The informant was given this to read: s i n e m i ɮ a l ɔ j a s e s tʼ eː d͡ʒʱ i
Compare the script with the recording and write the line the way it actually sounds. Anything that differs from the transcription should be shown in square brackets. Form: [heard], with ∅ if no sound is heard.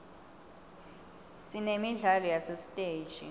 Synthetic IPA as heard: s i n e m i ɮ a l ɔ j a s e s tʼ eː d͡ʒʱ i